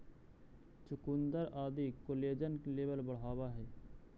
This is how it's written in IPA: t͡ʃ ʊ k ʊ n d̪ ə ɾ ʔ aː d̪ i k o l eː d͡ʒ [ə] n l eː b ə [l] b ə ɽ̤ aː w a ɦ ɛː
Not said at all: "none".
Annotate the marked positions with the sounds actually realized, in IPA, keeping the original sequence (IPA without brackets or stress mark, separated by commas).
ə, l